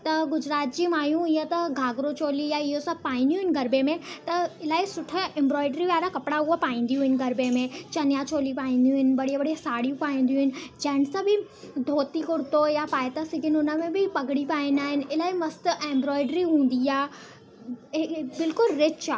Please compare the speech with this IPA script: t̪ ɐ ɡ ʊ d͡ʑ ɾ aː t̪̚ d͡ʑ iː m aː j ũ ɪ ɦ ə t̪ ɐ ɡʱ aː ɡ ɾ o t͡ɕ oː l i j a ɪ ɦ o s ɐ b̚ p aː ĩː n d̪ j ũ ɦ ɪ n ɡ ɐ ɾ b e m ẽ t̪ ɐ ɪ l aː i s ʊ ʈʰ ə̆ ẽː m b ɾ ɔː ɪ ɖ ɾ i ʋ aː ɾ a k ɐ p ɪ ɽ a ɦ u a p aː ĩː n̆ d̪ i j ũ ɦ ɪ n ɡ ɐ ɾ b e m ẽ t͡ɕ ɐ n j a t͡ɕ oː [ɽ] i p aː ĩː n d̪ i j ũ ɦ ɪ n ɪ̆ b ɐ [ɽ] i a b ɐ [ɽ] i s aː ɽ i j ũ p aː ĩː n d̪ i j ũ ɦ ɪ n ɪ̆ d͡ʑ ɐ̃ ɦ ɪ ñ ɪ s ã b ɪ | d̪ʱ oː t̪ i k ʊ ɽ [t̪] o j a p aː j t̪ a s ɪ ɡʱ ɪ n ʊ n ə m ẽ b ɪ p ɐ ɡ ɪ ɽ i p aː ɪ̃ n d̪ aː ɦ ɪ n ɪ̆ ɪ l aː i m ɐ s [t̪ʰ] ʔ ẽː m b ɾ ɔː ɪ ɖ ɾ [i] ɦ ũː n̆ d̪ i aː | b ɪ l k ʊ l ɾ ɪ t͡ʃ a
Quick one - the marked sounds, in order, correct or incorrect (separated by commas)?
incorrect, correct, correct, correct, incorrect, correct